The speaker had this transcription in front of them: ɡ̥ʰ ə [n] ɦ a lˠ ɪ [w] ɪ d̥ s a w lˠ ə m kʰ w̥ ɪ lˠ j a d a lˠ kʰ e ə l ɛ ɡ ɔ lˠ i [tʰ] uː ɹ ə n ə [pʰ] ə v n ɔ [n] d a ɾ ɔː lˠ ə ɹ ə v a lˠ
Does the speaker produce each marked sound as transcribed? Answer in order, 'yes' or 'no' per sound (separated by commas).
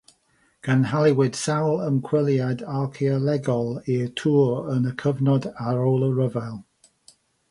yes, yes, yes, no, no